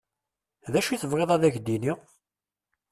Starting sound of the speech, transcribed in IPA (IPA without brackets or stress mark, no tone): ð